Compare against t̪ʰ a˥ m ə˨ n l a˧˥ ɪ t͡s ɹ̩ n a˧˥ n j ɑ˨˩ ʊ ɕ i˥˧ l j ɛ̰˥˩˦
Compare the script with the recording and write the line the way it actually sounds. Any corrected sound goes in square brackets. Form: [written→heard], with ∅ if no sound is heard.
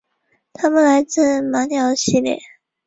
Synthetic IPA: t̪ʰ a˥ m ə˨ n l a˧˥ ɪ t͡s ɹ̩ [n→m] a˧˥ n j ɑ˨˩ ʊ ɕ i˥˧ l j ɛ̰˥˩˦